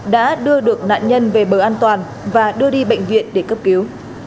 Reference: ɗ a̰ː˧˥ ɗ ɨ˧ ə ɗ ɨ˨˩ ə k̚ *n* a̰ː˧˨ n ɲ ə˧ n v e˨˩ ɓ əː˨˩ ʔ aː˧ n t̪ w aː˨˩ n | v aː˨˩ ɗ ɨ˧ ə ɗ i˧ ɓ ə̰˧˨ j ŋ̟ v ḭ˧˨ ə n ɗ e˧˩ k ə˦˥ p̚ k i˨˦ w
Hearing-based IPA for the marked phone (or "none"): n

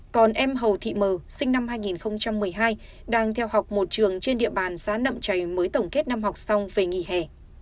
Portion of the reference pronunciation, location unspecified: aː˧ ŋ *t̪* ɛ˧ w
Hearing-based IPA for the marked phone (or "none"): t̪ʰ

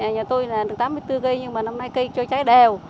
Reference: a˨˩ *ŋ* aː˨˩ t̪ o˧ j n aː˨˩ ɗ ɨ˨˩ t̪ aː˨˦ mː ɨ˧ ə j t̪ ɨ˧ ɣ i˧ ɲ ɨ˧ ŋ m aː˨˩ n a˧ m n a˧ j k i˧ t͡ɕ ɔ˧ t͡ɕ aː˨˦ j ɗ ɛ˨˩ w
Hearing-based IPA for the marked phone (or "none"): ɲ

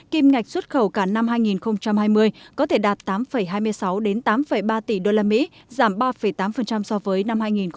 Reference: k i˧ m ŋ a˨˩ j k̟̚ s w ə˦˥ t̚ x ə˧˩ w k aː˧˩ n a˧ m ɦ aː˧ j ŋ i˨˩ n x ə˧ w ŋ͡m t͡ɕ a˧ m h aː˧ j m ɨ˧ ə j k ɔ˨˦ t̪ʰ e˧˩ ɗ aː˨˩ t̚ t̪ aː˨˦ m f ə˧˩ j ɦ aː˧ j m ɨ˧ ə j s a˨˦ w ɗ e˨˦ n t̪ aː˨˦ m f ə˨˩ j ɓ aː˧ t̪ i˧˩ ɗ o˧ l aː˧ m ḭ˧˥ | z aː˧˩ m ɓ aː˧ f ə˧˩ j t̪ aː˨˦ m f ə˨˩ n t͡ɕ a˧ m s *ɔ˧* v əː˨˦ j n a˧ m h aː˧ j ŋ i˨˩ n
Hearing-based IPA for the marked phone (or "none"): ɔ˧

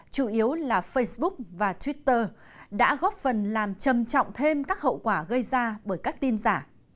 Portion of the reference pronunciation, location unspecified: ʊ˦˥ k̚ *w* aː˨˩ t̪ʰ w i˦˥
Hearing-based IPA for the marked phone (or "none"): v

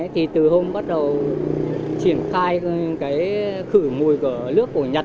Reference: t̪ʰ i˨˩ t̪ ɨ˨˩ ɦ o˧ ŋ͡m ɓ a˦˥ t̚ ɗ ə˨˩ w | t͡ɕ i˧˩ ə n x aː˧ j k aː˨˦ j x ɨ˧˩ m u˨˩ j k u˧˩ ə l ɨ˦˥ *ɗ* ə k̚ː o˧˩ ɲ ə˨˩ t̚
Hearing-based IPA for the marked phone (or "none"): none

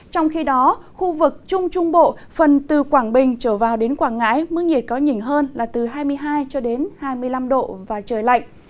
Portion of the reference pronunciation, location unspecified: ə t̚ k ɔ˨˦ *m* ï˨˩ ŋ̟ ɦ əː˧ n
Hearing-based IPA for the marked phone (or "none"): ɲ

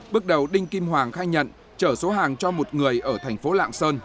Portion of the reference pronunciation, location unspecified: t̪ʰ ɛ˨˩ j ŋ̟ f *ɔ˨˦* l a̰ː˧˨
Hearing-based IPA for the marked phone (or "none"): o˨˦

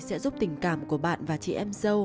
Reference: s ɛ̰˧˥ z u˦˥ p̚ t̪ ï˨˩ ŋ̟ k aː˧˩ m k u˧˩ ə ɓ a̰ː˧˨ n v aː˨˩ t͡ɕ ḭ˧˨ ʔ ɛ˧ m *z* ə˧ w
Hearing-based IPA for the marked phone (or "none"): z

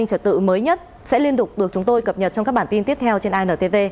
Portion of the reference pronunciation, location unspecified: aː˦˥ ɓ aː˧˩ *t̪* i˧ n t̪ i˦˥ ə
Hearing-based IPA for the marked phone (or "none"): t̪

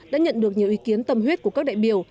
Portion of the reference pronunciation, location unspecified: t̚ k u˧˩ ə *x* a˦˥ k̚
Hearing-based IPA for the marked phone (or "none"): k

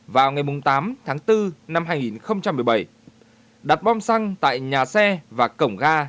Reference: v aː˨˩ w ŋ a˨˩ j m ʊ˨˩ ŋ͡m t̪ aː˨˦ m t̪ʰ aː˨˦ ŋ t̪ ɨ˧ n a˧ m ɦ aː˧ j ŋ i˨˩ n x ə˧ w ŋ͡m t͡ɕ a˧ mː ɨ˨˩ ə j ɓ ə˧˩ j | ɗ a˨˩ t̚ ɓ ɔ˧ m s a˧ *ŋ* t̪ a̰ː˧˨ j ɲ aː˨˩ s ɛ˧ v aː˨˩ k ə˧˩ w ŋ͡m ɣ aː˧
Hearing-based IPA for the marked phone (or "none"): ŋ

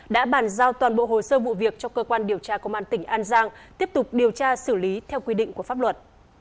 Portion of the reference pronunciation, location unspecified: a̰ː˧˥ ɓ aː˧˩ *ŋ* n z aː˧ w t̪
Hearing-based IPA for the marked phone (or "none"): none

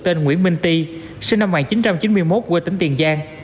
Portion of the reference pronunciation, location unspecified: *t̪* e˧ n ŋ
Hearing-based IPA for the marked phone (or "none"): t̪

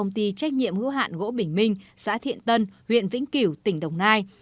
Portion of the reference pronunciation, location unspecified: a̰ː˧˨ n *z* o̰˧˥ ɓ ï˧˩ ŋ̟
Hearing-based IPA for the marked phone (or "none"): ɣ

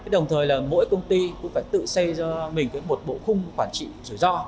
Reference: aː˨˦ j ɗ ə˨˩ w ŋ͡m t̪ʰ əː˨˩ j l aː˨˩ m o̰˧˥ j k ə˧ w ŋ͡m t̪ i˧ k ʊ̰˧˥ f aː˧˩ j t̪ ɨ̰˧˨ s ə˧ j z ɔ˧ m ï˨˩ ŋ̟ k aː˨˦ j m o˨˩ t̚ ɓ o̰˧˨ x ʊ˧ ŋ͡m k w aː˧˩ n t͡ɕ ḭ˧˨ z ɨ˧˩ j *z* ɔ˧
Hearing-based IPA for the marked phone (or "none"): z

